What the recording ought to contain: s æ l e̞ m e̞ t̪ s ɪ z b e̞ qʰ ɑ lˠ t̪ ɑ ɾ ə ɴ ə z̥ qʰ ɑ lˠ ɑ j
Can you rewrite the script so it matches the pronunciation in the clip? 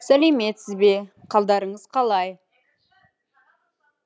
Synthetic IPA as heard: s æ l e̞ m e̞ t̪ s ɪ z b e̞ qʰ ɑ lˠ d̪ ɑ ɾ ə ɴ ə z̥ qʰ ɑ lˠ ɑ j

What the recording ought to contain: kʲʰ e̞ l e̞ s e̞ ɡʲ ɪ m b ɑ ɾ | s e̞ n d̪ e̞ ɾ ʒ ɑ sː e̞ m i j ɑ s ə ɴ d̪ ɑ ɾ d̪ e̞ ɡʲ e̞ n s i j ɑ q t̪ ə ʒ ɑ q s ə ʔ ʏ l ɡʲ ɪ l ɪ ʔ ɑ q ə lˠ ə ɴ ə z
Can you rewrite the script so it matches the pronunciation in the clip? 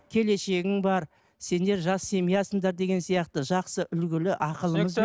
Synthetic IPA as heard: kʲʰ e̞ l e̞ ʃ e̞ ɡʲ ɪ ŋ b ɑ ɾ | s e̞ n d̪ e̞ ɾ ʒ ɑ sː e̞ m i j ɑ s ə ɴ d̪ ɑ ɾ d̪ e̞ ɡʲ e̞ n s i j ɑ q t̪ ə ʒ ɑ q s ə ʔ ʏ l ɡʲ ɪ l ɪ ʔ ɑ q ə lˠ ə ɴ ə z

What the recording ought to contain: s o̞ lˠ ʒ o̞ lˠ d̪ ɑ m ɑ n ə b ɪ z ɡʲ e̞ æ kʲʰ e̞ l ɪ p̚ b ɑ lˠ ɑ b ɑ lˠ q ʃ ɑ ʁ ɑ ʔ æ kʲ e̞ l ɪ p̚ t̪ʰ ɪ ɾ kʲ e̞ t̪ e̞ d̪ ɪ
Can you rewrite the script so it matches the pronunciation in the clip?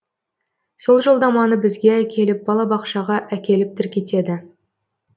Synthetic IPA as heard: s o̞ lˠ ʒ o̞ lˠ d̪ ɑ m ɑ n ə b ɪ z ɡʲ e̞ æ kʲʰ e̞ l ɪ p̚ b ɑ lˠ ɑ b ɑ q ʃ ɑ ʁ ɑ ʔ æ kʲ e̞ l ɪ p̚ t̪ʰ ɪ ɾ kʲ e̞ t̪ e̞ d̪ ɪ

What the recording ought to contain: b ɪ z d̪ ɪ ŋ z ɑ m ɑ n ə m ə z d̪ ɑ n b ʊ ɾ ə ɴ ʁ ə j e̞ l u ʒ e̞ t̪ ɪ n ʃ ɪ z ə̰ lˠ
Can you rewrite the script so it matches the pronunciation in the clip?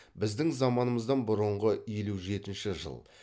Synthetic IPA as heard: b ɪ z d̪ ɪ ŋ z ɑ m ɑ n ə m ə z d̪ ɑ n b ʊ ɾ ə ɴ ʁ ə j e̞ l u ʒ e̞ t̪ ɪ n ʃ ɪ ʒ ə̰ lˠ

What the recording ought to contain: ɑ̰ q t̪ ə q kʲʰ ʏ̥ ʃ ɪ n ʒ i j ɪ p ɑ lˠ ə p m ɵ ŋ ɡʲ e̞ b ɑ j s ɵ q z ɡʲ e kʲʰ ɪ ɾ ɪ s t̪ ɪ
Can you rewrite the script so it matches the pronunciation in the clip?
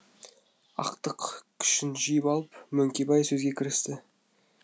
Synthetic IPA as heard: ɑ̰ q t̪ ə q kʲʰ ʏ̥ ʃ ɪ n ʒ i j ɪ p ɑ lˠ ə p m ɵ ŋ kʲ e̞ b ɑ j s ɵ z ɡʲ e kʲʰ ɪ ɾ ɪ s t̪ ɪ

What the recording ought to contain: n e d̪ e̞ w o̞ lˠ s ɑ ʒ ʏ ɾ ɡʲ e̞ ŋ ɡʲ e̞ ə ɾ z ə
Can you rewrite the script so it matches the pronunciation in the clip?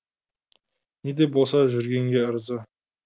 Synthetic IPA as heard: n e d̪ e̞ b o̞ lˠ s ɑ ʒ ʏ ɾ ɡʲ e̞ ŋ ɡʲ e̞ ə ɾ z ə

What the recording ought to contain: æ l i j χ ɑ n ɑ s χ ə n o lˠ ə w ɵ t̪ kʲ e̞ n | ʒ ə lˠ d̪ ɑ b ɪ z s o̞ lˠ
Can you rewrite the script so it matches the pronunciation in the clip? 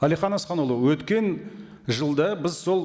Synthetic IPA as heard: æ l i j χ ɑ n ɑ s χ ɑ n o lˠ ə w ɵ t̪ kʲ e̞ n | ʒ ə lˠ d̪ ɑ b ɪ z s o̞ lˠ

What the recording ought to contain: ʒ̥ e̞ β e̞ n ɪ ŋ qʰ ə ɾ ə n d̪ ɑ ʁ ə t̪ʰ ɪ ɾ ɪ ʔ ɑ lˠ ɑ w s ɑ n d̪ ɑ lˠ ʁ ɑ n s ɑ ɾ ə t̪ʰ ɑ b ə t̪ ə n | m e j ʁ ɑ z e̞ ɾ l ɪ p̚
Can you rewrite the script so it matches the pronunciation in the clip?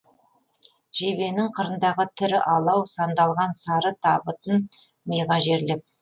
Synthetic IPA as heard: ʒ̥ e̞ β e̞ n ɪ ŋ qʰ ə ɾ ə n d̪ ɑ ʁ ə t̪ʰ ɪ ɾ ɪ ʔ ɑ lˠ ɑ w s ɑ n d̪ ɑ lˠ ʁ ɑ n s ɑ ɾ ə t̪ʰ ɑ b ə t̪ ə n | m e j ʁ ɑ ʒ e̞ ɾ l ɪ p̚

